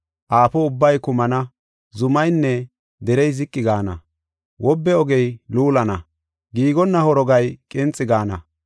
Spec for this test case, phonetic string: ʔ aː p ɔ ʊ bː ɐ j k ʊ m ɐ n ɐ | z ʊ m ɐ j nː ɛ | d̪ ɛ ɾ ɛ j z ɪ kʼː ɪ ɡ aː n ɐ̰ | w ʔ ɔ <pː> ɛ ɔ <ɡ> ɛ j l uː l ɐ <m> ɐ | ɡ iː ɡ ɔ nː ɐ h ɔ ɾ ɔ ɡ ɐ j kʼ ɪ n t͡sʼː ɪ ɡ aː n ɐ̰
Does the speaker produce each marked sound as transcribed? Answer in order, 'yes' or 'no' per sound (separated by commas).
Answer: no, yes, no